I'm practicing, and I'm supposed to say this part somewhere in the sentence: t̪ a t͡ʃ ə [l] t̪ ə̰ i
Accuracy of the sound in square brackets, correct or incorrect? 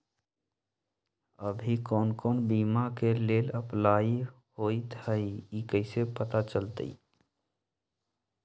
correct